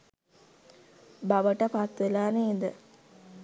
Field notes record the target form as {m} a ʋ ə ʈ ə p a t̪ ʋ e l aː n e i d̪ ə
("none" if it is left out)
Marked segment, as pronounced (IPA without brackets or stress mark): b